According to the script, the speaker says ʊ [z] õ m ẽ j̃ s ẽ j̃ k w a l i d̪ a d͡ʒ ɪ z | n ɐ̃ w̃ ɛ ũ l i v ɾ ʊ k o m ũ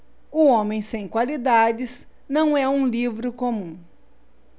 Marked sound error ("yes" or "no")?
yes